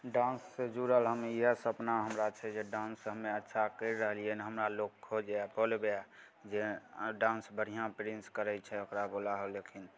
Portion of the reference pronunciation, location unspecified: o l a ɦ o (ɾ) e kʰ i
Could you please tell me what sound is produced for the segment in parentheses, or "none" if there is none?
l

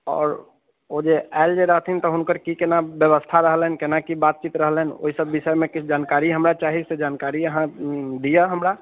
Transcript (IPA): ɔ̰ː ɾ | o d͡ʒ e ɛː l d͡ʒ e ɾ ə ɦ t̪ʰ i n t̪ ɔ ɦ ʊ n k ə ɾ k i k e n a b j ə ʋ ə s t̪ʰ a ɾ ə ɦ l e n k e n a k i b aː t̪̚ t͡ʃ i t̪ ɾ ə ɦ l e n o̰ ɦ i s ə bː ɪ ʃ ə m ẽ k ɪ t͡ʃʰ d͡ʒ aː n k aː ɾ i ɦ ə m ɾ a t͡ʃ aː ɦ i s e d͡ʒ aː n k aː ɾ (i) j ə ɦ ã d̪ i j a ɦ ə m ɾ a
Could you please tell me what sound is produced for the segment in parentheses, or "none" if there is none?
i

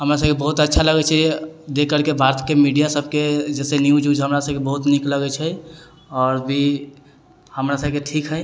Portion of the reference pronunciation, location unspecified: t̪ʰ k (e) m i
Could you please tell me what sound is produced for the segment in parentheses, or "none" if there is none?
e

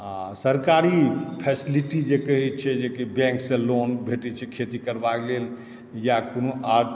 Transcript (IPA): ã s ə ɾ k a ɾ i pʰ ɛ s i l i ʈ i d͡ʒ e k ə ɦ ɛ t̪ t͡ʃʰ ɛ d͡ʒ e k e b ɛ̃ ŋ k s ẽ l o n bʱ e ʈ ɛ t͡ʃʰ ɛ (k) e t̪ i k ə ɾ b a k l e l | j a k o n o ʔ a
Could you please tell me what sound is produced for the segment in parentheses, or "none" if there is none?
kʰ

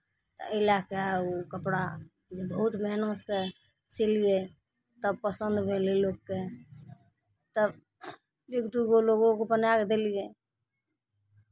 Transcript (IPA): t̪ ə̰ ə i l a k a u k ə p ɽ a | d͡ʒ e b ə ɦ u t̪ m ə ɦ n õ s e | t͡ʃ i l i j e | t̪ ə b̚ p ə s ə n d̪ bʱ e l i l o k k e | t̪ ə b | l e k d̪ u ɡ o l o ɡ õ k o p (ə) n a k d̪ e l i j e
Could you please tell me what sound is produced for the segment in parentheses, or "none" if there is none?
ə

